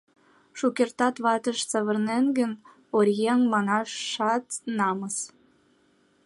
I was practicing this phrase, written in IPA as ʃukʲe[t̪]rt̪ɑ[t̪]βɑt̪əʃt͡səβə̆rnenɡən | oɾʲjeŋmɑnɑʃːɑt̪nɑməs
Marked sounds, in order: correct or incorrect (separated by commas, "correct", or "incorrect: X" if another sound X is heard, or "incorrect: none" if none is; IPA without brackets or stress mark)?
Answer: incorrect: none, correct